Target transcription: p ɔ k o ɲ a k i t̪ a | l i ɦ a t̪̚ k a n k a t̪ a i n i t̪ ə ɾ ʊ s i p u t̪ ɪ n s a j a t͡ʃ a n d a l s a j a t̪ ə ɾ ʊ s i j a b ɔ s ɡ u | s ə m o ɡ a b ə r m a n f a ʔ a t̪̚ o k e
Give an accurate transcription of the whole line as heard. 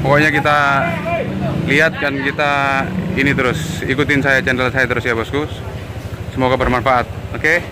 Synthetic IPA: p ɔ k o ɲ a k i t̪ a | l i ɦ a t̪̚ k a n k i t̪ a i n i t̪ ə ɾ ʊ s i k u t̪ ɪ n s a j a t͡ʃ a n d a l s a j a t̪ ə ɾ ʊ s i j a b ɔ s k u | s ə m o ɡ a b ə r m a n f a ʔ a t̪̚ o k e